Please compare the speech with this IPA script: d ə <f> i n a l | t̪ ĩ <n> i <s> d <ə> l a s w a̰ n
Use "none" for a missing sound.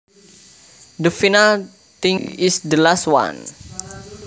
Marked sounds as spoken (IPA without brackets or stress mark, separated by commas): f, ŋ, s, ə